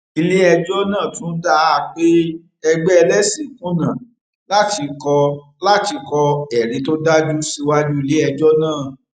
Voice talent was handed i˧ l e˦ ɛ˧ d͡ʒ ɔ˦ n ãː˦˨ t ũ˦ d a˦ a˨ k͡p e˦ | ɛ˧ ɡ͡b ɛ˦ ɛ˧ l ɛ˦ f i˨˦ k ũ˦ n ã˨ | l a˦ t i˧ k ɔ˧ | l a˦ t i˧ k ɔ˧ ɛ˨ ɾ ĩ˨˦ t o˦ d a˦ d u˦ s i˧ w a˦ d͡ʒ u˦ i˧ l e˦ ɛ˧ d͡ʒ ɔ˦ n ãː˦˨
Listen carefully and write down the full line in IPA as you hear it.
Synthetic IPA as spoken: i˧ l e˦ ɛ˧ d͡ʒ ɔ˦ n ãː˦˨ t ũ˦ d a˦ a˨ k͡p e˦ | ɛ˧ ɡ͡b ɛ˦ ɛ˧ l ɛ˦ s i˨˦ k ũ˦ n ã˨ | l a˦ t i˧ k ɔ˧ | l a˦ t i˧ k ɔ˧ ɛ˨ ɾ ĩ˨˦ t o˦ d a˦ d͡ʒ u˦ s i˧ w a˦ d͡ʒ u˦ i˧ l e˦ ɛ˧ d͡ʒ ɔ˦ n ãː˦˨